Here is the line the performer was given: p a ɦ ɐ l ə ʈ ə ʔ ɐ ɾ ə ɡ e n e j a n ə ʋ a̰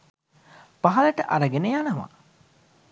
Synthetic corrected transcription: p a ɦ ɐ l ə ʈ ə ʔ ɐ ɾ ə ɡ e n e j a n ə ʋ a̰